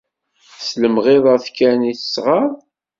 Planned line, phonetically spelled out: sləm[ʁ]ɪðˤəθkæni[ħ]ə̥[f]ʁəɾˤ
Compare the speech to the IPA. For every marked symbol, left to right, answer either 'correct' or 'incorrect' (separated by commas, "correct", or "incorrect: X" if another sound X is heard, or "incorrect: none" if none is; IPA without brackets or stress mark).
correct, incorrect: θ, incorrect: s